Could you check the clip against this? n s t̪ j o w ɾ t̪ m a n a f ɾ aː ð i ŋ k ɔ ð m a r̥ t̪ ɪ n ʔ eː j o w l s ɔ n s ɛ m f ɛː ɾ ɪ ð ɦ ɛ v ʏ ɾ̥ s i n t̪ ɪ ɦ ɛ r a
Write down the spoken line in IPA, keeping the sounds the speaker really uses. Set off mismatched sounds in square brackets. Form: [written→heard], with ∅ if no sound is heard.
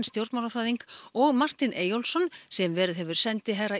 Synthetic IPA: n s t̪ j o w ɾ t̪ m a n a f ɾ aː ð i ŋ k ɔ [ð→ɣ] m a r̥ t̪ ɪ n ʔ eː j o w l s ɔ n s ɛ m [f→v] ɛː ɾ ɪ ð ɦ ɛ v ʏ ɾ̥ s [i→ɛ] n t̪ ɪ ɦ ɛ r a